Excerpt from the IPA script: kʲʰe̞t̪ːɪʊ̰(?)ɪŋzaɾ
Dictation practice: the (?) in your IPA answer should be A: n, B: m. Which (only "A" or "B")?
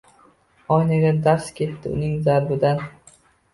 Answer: A